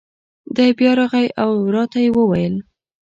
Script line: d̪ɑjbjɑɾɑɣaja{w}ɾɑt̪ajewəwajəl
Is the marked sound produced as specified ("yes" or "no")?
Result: yes